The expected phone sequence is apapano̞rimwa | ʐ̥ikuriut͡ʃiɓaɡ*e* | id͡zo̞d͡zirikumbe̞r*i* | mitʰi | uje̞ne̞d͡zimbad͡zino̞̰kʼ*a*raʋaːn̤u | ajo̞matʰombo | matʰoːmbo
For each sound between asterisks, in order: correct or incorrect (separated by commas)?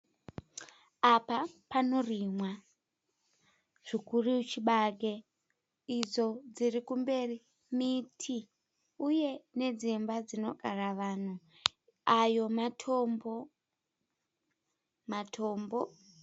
correct, correct, correct